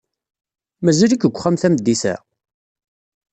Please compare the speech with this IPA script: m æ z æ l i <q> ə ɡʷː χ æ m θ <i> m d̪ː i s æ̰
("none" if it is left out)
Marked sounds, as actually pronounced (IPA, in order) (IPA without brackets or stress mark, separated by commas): k, æ